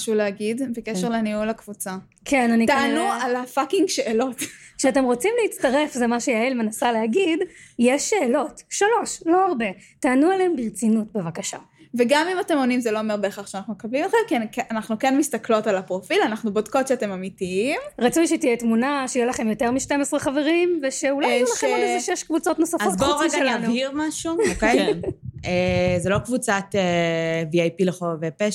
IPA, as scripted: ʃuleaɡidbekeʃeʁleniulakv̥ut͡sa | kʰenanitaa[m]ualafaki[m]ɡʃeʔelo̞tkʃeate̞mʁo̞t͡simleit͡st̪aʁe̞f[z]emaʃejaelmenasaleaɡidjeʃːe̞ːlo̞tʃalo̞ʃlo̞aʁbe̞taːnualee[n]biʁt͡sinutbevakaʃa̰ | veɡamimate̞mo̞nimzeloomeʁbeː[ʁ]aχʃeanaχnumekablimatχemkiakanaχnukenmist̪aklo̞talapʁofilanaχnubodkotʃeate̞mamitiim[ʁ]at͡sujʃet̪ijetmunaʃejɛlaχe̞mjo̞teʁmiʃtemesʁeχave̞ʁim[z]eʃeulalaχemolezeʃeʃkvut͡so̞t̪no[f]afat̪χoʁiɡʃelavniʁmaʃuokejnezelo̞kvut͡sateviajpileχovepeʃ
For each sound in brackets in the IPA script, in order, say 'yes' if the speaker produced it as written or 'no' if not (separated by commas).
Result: no, no, yes, no, no, yes, no, no